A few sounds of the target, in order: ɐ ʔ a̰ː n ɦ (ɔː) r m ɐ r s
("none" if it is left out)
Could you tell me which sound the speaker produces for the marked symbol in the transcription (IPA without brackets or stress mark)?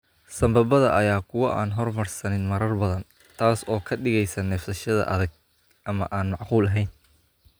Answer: ɔ